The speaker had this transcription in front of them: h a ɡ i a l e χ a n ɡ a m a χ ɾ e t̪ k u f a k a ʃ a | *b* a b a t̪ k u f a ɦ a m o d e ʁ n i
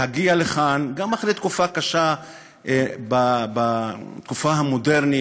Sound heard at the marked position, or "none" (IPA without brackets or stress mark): b